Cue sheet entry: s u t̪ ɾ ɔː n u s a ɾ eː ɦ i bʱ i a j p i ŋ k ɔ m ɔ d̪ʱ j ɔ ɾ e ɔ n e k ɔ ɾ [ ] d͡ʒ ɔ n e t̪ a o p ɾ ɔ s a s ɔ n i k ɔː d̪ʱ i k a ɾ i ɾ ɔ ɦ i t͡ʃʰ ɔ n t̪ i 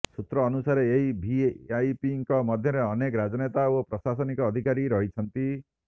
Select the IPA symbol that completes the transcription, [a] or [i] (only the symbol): a